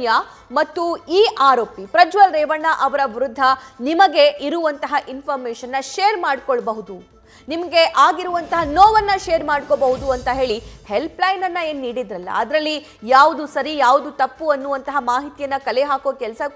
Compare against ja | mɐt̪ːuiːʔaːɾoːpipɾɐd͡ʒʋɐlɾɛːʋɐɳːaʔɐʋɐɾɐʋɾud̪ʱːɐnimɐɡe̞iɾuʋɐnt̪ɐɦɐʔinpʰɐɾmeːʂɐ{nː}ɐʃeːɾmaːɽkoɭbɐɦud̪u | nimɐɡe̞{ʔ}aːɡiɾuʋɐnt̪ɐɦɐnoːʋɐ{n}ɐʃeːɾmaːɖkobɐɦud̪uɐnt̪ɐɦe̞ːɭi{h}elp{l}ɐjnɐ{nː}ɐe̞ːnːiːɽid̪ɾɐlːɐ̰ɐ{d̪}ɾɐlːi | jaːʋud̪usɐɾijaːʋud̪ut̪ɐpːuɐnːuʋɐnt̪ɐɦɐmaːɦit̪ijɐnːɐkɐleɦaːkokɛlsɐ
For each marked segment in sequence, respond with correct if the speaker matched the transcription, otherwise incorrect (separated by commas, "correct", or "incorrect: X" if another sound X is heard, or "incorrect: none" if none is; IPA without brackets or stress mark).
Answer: correct, correct, incorrect: nː, correct, correct, correct, correct